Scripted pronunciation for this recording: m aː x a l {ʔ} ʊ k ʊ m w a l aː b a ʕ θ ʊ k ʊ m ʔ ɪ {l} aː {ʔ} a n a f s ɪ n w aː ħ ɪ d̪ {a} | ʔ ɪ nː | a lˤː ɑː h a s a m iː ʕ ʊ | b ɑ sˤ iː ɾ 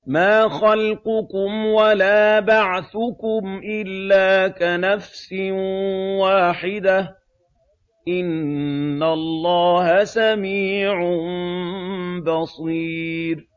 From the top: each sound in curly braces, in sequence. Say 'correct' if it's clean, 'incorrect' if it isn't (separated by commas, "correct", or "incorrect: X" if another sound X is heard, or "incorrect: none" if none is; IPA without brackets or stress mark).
incorrect: q, incorrect: lː, incorrect: k, correct